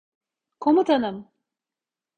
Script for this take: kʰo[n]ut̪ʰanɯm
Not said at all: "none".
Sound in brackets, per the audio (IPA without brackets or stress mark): m